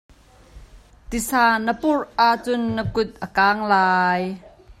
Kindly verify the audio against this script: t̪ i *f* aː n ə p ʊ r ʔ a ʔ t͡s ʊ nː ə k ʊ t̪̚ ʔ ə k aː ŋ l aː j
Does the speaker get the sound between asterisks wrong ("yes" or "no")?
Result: yes